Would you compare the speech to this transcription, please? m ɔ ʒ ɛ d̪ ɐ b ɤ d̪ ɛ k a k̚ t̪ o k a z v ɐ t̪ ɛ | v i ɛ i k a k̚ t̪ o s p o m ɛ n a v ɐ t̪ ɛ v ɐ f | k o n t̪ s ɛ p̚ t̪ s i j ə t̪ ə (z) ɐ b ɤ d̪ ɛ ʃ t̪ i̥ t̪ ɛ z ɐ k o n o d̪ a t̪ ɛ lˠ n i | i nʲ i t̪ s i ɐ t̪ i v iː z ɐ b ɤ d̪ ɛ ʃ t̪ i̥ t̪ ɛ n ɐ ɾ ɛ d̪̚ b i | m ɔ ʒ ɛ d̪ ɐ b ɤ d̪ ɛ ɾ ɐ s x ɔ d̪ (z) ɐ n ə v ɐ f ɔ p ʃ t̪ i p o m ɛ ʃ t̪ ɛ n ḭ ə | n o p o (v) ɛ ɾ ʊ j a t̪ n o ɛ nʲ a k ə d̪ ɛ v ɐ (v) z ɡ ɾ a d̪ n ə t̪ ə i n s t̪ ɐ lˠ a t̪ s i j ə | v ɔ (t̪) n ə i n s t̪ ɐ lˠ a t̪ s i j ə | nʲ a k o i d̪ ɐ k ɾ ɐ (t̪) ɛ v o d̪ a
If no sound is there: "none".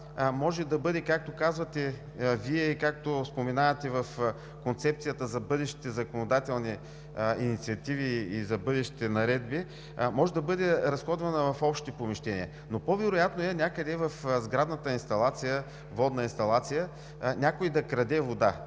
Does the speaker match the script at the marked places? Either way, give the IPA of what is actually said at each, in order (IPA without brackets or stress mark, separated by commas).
z, v, v, f, d̪, d̪